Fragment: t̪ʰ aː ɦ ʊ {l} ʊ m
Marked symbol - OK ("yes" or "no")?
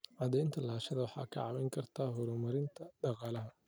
no